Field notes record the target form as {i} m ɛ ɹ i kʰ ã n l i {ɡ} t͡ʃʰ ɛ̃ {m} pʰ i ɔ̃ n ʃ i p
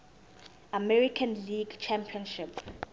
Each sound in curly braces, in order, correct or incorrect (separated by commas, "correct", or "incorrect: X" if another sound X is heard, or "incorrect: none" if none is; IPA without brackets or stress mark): incorrect: a, correct, correct